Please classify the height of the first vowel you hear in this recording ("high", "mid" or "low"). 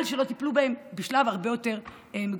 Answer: mid